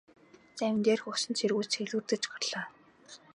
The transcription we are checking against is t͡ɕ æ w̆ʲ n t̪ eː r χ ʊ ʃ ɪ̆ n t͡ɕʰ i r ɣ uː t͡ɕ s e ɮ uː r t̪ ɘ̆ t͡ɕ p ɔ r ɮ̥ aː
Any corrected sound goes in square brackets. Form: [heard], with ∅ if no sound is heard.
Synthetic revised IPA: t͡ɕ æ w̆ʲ n t̪ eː r [x] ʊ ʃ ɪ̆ n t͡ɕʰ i r ɣ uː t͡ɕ [x] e ɮ uː r t̪ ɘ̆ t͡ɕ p ɔ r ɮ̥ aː